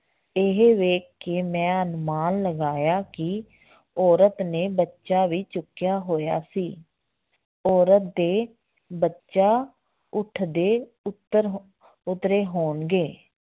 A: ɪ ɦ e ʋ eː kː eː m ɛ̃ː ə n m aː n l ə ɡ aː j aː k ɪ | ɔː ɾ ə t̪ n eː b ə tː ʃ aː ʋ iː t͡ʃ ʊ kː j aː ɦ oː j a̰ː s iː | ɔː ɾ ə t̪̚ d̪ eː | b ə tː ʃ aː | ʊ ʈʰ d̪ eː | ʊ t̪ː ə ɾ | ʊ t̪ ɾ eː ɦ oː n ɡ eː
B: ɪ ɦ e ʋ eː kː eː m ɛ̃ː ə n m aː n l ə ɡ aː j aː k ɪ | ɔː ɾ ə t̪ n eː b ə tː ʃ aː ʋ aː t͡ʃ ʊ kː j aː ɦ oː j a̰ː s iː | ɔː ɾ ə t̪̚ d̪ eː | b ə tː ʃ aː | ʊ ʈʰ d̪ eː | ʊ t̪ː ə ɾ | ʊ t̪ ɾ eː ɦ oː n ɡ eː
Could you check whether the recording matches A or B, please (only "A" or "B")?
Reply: A